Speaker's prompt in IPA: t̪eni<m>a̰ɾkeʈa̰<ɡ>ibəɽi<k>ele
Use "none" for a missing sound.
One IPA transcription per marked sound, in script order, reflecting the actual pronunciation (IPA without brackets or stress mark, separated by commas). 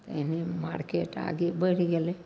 m, ɡ, ɡ